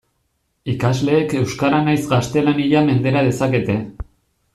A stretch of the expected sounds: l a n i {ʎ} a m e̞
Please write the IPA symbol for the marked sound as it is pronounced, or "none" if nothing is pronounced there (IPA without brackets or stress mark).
ʎ